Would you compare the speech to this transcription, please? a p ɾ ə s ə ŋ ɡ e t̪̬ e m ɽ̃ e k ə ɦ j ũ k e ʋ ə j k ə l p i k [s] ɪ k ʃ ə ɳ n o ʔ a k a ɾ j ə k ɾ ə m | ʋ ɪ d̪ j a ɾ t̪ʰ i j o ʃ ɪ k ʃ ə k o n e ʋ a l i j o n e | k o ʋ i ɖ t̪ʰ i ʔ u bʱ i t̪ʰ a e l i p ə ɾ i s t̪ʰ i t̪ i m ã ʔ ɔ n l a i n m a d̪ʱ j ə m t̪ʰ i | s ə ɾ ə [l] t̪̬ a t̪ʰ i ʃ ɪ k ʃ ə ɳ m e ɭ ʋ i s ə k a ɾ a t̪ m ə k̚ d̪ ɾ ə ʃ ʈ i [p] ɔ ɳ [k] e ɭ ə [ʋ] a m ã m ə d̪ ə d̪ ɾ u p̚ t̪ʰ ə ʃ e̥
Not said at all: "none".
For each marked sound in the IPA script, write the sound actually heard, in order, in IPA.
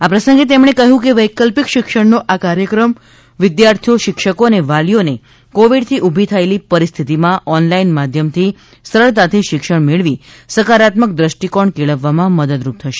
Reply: ʃ, ɭ, k, k, ʋː

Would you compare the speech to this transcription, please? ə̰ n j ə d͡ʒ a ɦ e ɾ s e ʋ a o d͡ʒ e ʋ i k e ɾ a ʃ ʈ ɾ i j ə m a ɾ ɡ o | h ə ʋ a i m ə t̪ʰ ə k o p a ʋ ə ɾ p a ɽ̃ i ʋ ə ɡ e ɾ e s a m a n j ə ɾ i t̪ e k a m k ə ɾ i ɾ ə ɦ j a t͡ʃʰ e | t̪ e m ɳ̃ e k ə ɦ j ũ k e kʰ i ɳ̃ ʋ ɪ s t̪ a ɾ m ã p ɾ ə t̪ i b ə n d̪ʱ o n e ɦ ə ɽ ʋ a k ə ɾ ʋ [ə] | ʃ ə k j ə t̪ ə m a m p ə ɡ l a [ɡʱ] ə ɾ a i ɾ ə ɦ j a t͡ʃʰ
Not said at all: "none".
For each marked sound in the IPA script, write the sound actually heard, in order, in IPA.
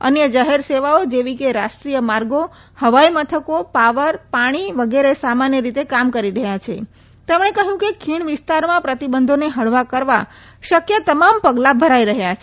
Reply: a, bʱ

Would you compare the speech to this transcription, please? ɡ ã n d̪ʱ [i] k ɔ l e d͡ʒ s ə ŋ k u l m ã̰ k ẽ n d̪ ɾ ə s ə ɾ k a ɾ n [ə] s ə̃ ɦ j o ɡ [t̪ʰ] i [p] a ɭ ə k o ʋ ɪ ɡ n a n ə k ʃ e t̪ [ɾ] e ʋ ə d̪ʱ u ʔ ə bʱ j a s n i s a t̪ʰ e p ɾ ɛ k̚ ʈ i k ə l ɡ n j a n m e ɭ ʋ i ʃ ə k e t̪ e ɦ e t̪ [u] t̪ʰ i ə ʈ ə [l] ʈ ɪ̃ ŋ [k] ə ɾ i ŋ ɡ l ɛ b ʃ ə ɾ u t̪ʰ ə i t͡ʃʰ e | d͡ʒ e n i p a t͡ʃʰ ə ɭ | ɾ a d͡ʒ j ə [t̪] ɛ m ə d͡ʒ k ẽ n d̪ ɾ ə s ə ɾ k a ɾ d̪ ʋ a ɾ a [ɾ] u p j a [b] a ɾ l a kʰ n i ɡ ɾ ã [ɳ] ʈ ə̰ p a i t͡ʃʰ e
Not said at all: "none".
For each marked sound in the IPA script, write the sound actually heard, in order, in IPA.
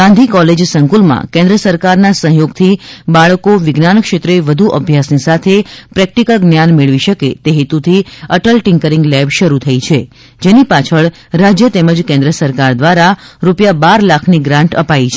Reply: i, a, t̪ʰ, b, ɾ, u, l, k, t̪, ɾ, b, ɳ

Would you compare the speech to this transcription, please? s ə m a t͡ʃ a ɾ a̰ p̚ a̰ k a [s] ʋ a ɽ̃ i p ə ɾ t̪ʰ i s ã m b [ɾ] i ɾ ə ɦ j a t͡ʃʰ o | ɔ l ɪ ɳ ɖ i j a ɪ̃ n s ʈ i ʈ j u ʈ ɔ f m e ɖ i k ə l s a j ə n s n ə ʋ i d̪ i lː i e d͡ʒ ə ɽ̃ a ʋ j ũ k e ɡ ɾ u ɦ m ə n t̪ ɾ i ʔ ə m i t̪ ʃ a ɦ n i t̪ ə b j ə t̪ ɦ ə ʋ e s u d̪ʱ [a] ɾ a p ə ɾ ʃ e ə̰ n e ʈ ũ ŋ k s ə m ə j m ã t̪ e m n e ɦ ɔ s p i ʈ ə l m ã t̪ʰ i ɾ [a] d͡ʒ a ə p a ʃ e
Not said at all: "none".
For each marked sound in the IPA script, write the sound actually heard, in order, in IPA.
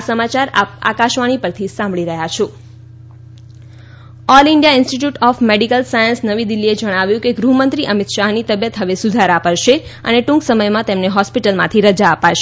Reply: ʃ, ɭ, a, ə

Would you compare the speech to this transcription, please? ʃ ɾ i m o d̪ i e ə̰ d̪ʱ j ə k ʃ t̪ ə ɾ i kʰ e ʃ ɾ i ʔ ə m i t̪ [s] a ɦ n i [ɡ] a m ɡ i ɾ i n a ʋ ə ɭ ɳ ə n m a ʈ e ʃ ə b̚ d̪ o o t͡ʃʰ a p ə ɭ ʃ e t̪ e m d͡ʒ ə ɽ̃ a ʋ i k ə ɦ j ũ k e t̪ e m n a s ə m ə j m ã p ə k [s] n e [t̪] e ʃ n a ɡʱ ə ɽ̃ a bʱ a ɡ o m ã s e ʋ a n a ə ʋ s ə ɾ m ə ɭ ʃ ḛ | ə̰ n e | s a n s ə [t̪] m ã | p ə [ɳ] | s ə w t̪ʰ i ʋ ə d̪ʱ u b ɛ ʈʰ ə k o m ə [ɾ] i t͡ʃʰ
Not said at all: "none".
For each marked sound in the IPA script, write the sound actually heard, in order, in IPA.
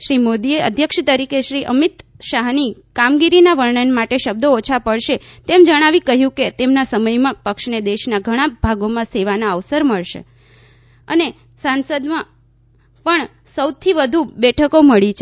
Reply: ʃ, k, ʃ, d̪, d̪, ɳ, ɭ

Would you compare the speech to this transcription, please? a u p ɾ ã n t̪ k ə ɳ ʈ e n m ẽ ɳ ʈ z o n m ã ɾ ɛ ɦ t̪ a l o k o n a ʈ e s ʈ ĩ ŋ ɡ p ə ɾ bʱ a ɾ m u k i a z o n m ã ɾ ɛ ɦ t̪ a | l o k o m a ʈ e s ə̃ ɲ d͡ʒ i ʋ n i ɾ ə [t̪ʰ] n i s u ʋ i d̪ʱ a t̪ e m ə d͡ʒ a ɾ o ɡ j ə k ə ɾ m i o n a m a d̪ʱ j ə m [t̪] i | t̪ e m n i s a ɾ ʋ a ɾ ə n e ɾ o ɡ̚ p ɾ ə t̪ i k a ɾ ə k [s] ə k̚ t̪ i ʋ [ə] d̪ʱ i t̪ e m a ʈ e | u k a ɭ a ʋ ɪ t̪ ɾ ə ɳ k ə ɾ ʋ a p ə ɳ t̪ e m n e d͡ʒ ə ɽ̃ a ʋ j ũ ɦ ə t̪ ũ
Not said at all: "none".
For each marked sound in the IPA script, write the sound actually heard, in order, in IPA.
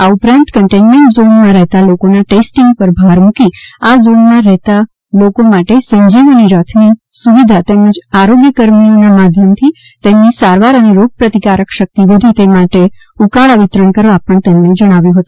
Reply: t̪ʰ, t̪ʰ, ʃ, ə

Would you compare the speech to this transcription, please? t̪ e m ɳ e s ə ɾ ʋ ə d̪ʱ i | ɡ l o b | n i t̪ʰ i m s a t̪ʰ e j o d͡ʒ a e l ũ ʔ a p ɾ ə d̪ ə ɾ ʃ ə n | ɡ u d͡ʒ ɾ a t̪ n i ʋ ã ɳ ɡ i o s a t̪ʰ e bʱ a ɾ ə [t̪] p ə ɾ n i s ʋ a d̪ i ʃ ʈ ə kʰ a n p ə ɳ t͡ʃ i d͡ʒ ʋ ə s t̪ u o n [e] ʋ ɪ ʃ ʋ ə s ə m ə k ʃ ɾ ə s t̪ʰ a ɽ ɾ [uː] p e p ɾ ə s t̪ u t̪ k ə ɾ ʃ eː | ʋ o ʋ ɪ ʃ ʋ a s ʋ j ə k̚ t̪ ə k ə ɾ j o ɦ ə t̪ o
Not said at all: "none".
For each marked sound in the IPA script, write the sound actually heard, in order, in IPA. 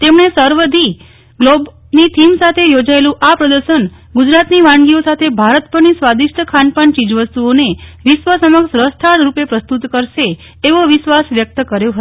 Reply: t̪, e, u

